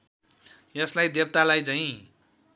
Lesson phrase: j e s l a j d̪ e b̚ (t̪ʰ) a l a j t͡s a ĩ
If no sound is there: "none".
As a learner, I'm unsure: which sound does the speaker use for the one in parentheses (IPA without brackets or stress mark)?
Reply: t̪